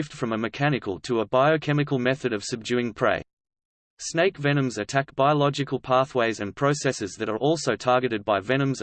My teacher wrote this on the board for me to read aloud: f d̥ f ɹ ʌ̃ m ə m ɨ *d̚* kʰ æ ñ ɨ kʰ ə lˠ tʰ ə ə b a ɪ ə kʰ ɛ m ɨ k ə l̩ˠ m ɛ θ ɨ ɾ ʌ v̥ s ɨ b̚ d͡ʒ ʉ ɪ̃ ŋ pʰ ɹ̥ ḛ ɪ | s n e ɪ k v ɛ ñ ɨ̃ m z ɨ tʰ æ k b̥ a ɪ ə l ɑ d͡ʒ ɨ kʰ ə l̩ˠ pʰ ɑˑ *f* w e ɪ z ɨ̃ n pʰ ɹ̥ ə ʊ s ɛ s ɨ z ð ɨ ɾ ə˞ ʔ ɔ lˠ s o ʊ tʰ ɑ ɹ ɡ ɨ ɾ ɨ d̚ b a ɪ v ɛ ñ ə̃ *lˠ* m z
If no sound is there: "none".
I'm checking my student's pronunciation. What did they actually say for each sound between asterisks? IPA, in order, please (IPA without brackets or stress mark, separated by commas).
none, θ, none